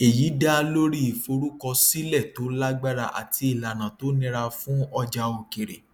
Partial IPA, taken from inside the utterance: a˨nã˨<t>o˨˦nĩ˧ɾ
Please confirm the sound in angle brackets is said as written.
yes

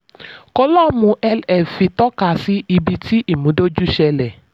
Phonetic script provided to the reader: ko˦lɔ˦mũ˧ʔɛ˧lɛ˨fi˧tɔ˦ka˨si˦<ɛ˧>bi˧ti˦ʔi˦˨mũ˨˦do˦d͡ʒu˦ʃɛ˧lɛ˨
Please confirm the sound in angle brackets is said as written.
no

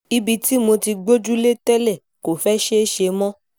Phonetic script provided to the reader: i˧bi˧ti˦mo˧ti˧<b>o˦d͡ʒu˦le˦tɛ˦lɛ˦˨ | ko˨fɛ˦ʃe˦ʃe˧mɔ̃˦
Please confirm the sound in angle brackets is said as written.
no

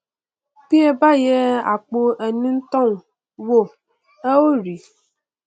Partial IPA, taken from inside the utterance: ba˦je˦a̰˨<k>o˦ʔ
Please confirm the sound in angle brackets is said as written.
no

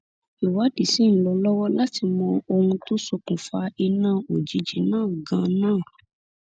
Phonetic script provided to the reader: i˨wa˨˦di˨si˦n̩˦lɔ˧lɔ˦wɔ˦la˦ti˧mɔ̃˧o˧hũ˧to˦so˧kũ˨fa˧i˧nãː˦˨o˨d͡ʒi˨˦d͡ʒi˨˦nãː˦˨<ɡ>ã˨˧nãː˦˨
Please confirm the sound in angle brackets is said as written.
yes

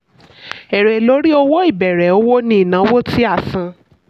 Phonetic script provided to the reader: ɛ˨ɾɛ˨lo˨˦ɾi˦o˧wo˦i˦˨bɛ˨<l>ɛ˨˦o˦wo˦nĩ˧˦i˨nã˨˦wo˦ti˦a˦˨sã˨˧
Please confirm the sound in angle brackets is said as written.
no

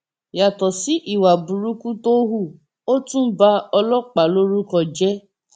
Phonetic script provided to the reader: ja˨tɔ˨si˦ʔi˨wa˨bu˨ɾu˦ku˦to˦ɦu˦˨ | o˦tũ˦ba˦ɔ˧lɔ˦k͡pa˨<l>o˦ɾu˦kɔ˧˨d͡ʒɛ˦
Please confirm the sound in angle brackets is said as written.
yes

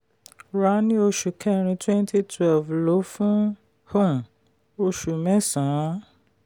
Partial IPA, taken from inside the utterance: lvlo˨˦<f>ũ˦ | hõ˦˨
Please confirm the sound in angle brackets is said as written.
yes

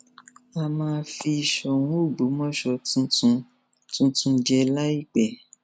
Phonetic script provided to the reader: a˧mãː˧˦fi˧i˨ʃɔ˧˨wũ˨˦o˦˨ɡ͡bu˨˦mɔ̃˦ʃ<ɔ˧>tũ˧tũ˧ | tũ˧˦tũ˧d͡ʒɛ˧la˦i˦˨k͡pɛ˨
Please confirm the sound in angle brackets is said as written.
yes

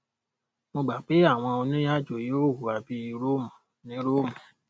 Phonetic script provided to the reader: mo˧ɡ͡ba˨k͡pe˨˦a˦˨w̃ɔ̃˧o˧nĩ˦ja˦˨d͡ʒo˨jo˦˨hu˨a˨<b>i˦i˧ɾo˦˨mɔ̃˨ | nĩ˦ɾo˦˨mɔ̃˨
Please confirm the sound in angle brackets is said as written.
yes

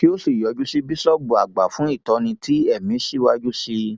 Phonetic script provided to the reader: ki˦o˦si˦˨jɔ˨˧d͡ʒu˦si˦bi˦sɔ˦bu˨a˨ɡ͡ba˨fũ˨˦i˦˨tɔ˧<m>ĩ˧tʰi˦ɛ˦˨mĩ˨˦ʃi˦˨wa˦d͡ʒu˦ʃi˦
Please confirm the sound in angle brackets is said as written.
no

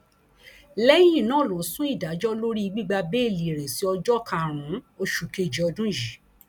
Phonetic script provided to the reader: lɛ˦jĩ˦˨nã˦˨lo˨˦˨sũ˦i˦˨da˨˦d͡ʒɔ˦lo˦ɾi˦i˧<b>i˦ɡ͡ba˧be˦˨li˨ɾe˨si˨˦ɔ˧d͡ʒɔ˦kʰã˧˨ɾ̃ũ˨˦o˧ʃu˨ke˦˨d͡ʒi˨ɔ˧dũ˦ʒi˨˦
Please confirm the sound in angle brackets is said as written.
no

